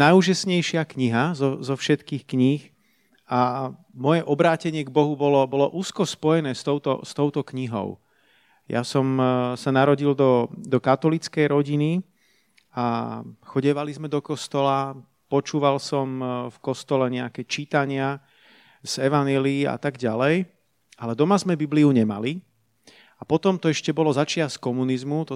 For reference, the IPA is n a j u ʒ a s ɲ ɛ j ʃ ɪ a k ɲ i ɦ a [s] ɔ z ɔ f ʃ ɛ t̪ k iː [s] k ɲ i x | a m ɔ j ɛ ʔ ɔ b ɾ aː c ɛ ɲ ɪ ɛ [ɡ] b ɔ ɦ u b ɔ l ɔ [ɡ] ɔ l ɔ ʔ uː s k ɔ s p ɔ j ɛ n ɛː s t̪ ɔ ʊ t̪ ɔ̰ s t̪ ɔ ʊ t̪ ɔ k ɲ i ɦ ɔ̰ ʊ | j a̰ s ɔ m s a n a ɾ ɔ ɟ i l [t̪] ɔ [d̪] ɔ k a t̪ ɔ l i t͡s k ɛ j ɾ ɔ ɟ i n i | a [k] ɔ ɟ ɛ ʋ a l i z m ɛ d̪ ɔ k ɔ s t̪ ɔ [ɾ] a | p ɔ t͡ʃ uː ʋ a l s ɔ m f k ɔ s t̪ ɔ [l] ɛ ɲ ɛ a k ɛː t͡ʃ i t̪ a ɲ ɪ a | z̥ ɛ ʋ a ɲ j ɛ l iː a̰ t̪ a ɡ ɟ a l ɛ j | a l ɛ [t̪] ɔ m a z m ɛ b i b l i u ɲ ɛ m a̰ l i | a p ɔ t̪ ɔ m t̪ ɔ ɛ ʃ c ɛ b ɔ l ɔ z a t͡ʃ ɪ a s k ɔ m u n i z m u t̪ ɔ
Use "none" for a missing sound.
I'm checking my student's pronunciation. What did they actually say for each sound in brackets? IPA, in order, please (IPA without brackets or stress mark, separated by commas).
z, x, ɡ, b, d̪, d̪, x, l, l, d̪